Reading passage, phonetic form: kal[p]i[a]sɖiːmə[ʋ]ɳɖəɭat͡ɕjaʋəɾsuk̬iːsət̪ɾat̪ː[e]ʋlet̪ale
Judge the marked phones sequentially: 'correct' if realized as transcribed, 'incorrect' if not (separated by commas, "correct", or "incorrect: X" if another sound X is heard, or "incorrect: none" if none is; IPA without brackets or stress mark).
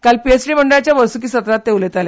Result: correct, incorrect: e, incorrect: none, correct